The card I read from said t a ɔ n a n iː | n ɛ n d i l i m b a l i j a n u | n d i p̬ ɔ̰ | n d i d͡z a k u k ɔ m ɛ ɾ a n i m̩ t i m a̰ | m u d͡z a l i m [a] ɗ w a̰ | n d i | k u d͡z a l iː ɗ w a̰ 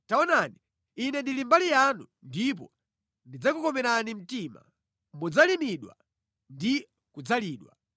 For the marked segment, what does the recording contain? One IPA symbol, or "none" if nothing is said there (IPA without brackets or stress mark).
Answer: i